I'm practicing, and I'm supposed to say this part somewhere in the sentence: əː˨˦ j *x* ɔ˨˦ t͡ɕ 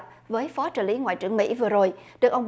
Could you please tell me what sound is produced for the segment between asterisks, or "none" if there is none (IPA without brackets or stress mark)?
f